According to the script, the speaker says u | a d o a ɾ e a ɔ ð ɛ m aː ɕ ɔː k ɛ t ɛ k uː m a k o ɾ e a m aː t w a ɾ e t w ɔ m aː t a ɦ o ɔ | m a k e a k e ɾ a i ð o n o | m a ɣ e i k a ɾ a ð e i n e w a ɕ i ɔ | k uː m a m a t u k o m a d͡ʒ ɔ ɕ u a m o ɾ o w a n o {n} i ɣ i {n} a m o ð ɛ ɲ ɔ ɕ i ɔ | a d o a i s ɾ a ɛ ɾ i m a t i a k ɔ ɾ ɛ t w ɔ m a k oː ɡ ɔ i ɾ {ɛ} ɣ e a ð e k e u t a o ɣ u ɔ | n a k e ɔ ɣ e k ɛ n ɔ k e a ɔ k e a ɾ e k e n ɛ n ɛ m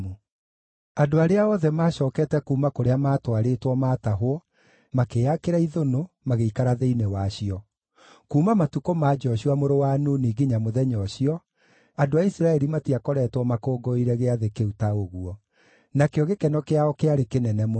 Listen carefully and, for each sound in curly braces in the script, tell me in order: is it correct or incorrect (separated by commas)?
correct, incorrect, correct